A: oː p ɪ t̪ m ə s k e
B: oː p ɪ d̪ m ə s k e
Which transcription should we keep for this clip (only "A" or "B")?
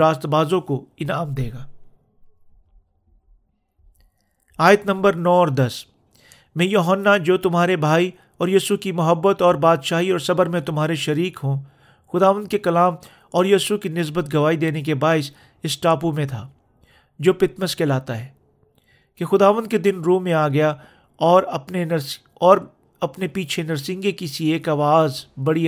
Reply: A